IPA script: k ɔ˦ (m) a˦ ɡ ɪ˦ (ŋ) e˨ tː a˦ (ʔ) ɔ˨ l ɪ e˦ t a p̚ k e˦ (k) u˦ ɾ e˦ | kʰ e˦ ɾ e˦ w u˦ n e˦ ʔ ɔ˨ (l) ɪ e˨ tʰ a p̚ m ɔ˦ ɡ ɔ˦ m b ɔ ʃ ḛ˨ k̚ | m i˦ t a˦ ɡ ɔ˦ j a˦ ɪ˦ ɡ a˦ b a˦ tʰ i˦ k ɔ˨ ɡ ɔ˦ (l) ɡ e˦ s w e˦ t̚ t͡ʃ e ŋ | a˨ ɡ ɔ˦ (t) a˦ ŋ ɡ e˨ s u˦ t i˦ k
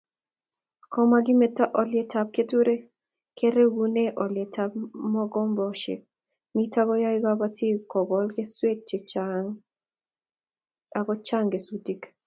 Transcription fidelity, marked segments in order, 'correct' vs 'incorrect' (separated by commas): correct, incorrect, correct, incorrect, correct, correct, incorrect